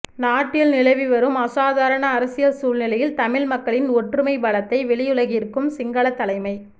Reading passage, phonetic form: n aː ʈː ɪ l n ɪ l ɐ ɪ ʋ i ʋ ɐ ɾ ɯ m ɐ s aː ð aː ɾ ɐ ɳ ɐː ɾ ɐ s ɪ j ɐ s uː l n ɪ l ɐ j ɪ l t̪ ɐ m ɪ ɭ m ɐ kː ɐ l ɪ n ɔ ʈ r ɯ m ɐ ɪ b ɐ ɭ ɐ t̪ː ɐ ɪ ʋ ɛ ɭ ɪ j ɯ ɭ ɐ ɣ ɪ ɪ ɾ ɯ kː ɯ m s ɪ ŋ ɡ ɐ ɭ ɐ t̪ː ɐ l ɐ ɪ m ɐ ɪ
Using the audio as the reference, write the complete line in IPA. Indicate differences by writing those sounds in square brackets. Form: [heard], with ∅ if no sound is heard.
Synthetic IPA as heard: n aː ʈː ɪ l n ɪ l ɐ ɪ ʋ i ʋ ɐ ɾ ɯ m ɐ s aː ð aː ɾ ɐ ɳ ɐː ɾ ɐ s ɪ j ɐ s uː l n ɪ l ɐ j ɪ l t̪ ɐ m ɪ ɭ m ɐ kː ɐ [ɭ] ɪ n ɔ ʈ r ɯ m ɐ ɪ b ɐ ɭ ɐ t̪ː ɐ ɪ ʋ ɛ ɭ ɪ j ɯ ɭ ɐ ɣ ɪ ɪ ɾ ɯ kː ɯ m s ɪ ŋ ɡ ɐ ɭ ɐ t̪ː ɐ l ɐ ɪ m ɐ ɪ